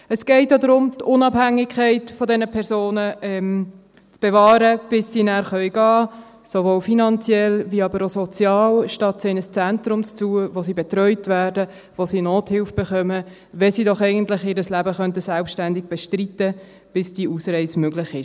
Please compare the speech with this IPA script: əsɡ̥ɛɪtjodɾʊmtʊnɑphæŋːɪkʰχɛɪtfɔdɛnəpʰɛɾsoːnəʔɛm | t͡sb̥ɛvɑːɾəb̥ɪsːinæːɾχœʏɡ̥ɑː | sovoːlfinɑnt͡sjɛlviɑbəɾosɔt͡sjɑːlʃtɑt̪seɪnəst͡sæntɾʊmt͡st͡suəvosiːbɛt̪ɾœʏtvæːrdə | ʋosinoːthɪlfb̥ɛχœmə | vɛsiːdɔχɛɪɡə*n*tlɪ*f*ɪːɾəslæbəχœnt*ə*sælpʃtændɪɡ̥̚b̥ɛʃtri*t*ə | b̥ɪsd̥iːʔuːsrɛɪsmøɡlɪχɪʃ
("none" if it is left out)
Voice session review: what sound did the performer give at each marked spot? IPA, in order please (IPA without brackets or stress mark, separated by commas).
n, χ, ə, t